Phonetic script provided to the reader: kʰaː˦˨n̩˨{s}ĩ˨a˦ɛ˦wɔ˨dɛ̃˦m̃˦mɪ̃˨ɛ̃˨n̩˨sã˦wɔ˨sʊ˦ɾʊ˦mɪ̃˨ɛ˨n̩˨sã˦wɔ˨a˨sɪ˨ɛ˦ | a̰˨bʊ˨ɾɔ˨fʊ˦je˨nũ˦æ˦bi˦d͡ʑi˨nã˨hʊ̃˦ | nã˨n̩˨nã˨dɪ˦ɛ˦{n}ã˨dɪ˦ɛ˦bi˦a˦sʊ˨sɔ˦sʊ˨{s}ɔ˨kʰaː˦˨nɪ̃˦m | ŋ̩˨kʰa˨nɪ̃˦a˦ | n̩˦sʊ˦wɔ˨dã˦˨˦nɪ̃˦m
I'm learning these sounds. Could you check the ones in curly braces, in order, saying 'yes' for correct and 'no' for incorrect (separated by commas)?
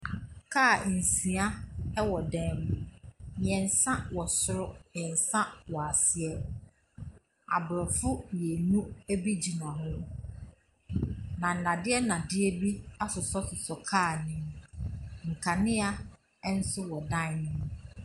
yes, yes, yes